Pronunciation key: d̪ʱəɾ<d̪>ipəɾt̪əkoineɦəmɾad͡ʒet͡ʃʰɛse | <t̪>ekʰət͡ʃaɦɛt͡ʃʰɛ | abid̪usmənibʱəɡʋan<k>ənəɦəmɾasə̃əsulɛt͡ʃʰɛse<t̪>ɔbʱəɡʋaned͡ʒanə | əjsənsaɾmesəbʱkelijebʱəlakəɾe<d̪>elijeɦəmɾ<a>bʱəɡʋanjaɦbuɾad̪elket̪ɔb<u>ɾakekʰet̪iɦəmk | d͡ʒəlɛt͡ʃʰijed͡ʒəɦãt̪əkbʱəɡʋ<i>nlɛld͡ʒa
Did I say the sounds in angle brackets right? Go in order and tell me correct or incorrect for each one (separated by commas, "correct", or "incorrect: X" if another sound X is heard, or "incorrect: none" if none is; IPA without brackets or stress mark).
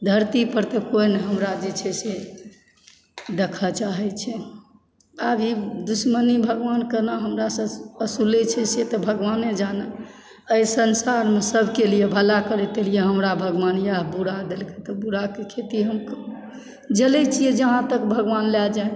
incorrect: t̪, incorrect: d̪, correct, correct, incorrect: t̪, correct, correct, incorrect: a